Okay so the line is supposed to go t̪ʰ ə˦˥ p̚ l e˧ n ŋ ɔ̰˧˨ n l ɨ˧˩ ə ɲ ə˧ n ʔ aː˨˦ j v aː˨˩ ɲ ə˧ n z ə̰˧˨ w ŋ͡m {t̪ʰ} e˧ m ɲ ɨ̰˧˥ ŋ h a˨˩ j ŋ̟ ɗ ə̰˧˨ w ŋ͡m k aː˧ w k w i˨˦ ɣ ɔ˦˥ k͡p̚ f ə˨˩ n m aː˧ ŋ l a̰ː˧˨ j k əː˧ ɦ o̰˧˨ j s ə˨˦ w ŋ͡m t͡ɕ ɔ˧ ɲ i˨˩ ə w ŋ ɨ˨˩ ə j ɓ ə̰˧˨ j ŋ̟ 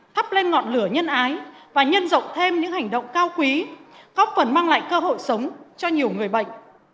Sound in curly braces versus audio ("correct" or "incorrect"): correct